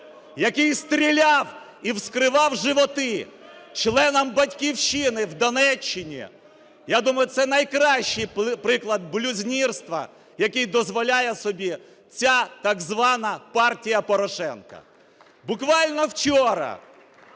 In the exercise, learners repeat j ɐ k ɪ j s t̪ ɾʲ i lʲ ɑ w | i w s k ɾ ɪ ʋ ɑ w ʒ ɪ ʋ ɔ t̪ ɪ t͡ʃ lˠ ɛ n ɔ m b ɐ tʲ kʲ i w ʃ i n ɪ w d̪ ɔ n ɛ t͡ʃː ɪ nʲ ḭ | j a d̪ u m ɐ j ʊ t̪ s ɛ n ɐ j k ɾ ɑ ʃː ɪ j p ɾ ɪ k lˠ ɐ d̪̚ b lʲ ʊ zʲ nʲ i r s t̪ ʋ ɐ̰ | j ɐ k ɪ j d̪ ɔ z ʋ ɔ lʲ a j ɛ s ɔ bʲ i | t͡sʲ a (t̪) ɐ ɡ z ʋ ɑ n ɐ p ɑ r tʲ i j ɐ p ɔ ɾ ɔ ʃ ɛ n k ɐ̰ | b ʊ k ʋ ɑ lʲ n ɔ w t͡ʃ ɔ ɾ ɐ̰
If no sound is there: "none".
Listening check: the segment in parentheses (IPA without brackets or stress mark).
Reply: t̪